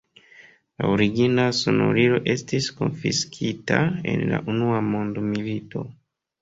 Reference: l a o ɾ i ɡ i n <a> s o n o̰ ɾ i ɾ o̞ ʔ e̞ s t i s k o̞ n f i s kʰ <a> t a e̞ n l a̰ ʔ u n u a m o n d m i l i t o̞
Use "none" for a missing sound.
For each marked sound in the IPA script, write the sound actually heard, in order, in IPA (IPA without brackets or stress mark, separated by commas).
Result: a, i